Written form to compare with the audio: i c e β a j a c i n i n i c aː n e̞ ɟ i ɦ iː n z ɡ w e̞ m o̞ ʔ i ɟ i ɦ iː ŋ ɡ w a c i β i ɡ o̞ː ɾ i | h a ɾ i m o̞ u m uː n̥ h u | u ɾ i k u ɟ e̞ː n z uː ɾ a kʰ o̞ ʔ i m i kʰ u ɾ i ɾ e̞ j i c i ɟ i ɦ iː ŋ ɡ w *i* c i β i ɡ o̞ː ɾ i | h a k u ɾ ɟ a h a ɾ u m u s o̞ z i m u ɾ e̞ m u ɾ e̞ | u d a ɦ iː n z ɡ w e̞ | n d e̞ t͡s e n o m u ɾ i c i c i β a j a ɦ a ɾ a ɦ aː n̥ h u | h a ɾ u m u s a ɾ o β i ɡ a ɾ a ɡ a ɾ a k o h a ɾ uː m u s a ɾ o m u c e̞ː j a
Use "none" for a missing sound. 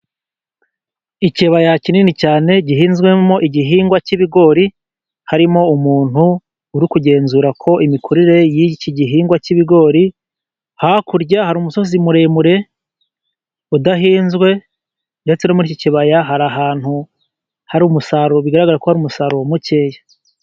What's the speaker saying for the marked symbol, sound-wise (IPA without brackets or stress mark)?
a